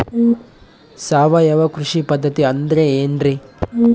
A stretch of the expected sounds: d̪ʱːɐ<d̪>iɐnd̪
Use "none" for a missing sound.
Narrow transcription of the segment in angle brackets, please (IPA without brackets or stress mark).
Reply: t̪